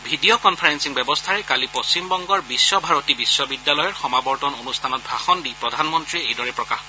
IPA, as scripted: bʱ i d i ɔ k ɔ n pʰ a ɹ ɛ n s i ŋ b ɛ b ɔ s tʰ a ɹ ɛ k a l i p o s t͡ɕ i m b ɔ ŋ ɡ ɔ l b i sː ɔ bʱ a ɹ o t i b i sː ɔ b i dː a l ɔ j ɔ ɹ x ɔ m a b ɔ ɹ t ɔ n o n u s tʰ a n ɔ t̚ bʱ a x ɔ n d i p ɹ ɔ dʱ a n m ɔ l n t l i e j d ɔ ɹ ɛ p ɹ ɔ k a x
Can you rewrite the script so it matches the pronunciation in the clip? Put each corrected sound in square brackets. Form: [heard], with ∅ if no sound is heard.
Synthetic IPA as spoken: bʱ i d i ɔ k ɔ n pʰ a ɹ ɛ n s i ŋ b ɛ b ɔ s tʰ a ɹ ɛ k a l i p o s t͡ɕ i m b ɔ ŋ ɡ ɔ [ɹ] b i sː ɔ bʱ a ɹ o t i b i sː ɔ b i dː a l ɔ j ɔ ɹ x ɔ m a b ɔ ɹ t ɔ n o n u s tʰ a n ɔ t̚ bʱ a x ɔ n d i p ɹ ɔ dʱ a n m ɔ [∅] n t [ɹ] i e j d ɔ ɹ ɛ p ɹ ɔ k a x